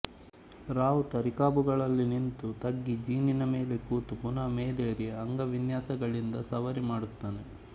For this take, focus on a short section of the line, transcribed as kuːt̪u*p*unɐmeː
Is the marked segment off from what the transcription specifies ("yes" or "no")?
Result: no